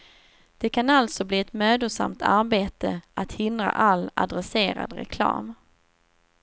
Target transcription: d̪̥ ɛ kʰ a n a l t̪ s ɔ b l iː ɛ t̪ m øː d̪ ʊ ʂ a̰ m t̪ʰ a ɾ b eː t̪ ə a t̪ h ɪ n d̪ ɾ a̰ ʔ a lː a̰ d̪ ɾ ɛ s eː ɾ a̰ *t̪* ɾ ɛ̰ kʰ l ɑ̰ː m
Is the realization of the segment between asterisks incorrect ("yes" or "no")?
yes